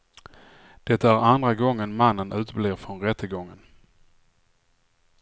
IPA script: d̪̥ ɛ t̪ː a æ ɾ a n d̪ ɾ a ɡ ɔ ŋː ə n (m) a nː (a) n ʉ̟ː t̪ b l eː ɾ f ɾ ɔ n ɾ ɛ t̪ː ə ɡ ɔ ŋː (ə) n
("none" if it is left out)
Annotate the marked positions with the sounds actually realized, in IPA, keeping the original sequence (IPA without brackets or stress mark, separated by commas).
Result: m, ə, ə